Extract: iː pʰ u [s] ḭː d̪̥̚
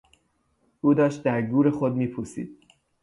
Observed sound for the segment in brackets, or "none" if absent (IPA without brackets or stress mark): s